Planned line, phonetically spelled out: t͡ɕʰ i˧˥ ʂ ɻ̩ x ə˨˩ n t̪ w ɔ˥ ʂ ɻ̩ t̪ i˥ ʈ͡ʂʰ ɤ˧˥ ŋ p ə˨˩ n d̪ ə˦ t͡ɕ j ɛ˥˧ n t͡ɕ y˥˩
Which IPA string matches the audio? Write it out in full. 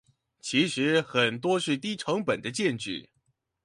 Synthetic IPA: t͡ɕʰ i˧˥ ʂ ɻ̩ x ə˨˩ n t̪ w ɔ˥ ʂ ɻ̩ t̪ i˥ ʈ͡ʂʰ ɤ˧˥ ŋ p ə˨˩ n d̪ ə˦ t͡ɕ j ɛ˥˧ n t͡ɕ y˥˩